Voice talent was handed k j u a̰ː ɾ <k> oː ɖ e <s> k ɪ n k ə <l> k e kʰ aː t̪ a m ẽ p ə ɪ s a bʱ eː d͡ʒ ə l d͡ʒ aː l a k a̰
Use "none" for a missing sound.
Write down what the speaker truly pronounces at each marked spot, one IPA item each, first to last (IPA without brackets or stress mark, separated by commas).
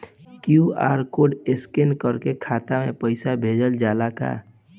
k, s, ɾ